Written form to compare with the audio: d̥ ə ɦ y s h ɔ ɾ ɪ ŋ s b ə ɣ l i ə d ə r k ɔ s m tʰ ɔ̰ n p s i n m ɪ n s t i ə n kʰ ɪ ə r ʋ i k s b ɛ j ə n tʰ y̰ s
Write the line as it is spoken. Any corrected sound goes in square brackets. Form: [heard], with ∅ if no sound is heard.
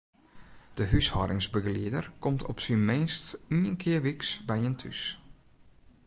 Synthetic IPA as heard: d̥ ə ɦ y s h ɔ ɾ ɪ ŋ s b ə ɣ l i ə d ə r k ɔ [∅] m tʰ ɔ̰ [∅] p s i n m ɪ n s t i ə n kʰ ɪ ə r ʋ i k s b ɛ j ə n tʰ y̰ s